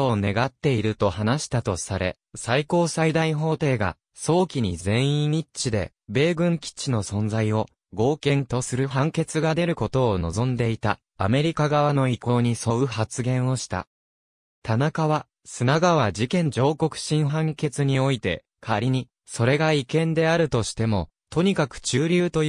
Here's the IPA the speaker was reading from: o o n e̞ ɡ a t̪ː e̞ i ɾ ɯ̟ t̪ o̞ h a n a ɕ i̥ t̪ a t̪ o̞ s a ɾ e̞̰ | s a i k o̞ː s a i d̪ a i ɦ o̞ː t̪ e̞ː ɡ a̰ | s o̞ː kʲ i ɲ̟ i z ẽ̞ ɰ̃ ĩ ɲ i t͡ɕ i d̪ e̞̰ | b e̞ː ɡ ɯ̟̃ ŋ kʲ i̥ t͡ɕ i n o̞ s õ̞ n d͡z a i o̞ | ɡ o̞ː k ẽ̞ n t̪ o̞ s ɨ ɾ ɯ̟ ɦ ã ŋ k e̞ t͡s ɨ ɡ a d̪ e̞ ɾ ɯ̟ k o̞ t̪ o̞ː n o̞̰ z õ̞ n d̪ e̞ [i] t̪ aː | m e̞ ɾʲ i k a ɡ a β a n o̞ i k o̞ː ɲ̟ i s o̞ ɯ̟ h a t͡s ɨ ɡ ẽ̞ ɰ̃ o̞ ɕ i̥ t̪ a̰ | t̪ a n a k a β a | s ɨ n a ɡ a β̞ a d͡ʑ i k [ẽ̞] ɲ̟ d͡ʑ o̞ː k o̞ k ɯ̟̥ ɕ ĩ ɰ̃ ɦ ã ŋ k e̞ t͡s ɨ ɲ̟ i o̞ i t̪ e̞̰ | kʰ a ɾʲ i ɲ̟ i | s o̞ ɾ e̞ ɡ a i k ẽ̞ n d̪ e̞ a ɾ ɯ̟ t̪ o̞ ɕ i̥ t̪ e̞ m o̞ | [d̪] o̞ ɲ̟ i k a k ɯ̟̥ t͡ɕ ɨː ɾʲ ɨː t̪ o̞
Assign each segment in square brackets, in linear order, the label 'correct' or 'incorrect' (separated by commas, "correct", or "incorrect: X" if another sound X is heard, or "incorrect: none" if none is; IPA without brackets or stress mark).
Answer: correct, correct, incorrect: t̪